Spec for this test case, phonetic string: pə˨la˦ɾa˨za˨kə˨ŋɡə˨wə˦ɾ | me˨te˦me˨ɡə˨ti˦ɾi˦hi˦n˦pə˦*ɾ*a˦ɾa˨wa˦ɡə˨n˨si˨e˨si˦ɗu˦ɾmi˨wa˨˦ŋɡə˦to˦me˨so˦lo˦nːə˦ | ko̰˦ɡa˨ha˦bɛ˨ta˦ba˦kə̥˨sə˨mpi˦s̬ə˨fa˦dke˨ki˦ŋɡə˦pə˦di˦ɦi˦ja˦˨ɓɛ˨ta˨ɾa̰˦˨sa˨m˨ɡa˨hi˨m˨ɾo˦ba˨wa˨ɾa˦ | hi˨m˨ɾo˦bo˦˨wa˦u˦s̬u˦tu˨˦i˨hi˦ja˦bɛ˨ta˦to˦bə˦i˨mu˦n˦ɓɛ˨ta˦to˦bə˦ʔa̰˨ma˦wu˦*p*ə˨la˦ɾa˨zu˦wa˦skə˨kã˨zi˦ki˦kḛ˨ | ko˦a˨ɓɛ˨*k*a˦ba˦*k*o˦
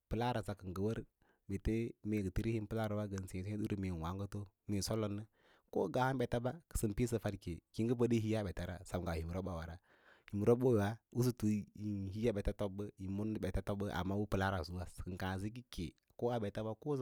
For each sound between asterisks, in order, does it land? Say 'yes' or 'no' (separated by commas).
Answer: no, yes, no, yes